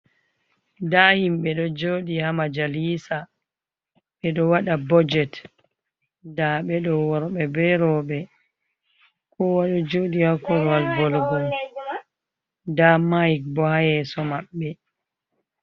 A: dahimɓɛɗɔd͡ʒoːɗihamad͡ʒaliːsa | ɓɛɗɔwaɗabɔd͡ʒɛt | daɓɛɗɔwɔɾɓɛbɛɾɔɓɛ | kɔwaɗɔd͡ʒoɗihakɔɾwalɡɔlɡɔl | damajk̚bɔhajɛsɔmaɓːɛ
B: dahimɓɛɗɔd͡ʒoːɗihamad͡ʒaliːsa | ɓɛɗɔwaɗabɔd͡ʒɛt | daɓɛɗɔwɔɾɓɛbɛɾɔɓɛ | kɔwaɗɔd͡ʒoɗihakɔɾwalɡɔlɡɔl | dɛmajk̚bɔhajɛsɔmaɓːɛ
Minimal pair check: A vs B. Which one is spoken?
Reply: A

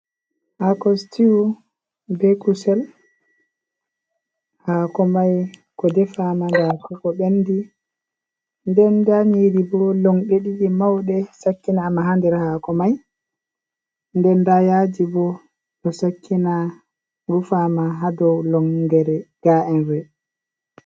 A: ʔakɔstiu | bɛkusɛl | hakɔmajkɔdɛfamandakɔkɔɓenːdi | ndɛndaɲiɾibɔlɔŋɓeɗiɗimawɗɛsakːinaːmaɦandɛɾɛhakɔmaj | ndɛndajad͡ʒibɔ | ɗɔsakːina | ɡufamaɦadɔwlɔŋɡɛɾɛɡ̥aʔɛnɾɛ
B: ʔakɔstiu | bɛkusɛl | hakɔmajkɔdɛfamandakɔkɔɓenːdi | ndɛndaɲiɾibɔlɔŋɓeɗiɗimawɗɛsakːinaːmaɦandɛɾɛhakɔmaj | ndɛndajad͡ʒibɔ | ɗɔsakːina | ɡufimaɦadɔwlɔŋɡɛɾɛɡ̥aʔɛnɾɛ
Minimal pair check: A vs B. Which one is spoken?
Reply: A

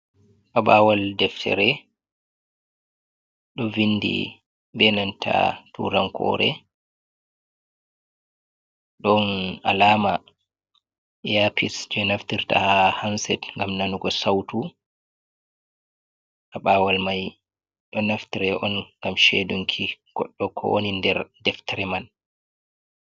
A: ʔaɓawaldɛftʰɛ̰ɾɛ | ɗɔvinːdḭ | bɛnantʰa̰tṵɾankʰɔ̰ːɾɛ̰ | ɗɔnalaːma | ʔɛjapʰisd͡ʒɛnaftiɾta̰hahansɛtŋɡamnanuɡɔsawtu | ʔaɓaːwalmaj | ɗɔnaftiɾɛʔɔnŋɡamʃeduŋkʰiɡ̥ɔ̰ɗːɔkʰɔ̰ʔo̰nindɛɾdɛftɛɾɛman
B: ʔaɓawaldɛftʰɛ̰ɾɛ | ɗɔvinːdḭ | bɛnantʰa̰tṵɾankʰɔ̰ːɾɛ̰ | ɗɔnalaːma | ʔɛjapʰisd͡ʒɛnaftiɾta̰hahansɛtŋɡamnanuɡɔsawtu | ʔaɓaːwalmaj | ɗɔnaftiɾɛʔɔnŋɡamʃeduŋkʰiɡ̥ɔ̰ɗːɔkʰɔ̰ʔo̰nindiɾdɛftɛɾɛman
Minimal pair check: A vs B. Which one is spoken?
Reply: A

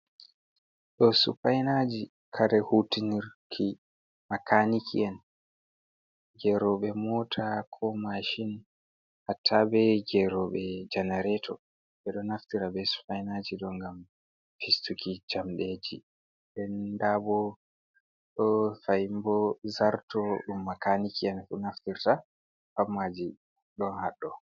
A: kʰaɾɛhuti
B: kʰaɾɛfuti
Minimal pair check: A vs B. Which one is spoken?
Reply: A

